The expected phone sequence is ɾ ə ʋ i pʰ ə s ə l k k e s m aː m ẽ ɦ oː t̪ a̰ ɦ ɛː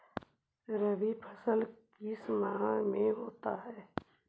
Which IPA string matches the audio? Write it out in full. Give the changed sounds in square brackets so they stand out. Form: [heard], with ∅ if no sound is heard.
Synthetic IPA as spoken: ɾ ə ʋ i pʰ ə s ə l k k [i] s m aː m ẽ ɦ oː t̪ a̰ ɦ ɛː